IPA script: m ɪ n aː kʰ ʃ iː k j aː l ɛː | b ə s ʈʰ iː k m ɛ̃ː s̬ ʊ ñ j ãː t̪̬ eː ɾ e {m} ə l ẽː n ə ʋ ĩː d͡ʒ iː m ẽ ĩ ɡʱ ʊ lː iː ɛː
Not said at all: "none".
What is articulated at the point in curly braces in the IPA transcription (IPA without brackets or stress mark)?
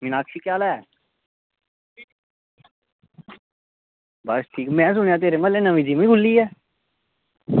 m